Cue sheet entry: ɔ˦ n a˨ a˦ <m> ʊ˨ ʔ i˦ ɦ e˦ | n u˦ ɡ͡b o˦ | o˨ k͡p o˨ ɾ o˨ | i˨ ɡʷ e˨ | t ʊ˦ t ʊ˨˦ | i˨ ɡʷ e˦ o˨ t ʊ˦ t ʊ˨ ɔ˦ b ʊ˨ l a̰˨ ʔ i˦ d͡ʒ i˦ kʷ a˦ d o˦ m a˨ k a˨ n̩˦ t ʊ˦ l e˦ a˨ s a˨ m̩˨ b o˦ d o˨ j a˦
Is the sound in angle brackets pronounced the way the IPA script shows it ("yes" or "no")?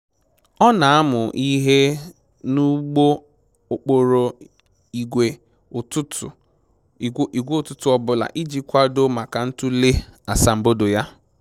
yes